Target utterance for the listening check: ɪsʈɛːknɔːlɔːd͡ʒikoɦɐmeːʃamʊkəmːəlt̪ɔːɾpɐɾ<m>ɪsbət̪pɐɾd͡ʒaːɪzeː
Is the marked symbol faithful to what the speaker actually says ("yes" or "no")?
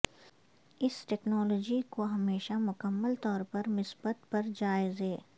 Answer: yes